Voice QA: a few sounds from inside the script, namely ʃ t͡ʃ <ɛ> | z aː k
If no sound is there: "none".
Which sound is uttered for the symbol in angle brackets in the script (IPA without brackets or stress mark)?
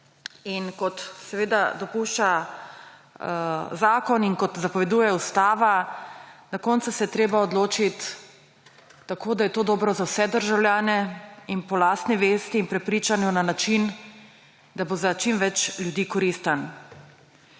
a